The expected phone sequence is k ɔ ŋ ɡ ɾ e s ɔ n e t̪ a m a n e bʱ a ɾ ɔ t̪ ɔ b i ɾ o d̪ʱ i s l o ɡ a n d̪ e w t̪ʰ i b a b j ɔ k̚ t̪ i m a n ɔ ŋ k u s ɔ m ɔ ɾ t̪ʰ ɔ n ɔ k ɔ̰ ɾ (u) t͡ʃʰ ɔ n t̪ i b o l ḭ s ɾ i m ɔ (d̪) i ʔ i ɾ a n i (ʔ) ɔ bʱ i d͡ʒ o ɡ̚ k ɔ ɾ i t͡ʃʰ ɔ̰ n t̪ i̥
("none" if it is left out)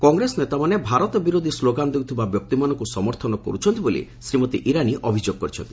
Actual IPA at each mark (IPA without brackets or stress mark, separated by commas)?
u, t̪, ʔ